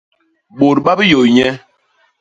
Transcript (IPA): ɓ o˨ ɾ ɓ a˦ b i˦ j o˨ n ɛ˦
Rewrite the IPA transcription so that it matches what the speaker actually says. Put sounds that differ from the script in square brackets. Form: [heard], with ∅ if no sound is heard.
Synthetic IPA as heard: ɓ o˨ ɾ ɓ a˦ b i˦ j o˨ [ɲ] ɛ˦